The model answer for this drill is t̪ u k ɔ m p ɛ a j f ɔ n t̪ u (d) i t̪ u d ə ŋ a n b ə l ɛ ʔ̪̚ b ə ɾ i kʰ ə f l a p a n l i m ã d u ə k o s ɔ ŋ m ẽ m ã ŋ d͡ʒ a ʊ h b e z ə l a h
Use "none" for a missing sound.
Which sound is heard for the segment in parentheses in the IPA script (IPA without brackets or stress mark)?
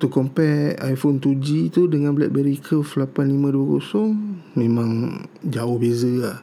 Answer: d͡ʒ